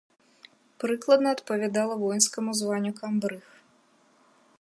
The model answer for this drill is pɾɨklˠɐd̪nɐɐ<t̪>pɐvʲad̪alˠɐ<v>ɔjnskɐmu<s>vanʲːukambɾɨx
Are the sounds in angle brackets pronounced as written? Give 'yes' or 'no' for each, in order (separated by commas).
yes, yes, no